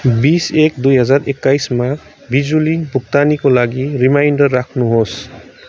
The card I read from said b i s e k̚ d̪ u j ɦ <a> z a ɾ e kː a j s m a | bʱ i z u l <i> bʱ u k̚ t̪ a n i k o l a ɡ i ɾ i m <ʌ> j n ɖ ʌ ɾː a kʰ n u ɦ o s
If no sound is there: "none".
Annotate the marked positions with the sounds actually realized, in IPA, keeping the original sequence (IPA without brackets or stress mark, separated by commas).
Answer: ʌ, i, a